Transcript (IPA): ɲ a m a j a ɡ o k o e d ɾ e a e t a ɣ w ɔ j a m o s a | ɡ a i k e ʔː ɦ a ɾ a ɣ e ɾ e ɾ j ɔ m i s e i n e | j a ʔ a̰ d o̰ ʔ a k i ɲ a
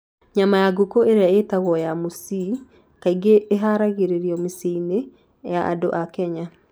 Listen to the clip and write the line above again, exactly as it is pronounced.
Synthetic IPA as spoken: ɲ a m a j a ɡ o k o e ɾ e a e t a ɣ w ɔ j a m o s i | k a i ɡ e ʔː ɦ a ɾ a ɣ e ɾ e ɾ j ɔ m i s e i n e | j a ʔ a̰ d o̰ ʔ a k ɛ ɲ a